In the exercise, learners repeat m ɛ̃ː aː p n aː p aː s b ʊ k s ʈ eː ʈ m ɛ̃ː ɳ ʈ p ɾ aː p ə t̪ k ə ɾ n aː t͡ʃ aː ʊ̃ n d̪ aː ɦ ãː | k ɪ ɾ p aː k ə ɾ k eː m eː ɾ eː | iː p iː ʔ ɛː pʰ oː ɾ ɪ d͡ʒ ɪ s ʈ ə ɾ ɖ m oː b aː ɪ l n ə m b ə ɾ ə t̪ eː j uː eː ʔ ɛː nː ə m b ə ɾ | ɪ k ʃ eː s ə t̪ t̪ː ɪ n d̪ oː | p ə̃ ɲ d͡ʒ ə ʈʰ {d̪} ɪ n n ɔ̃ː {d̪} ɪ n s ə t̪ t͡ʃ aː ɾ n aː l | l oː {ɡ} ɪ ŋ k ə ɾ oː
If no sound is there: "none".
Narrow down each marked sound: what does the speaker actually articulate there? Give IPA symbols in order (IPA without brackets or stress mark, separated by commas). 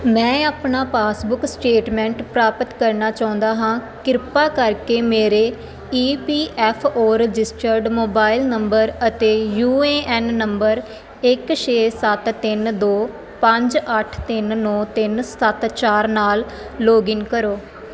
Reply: t̪, t̪, ɡ